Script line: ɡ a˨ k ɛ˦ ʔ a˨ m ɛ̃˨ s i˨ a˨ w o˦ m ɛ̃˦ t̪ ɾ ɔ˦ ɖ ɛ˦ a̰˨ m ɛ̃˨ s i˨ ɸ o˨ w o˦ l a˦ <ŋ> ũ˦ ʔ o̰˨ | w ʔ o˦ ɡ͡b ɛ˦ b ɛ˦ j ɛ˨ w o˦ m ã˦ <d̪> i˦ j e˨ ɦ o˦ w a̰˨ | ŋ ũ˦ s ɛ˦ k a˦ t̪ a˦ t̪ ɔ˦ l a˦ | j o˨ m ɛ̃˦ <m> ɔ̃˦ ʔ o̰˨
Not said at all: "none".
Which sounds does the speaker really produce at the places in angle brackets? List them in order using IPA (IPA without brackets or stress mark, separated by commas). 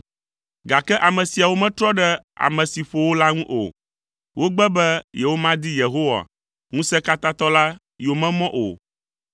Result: ŋ, d̪, m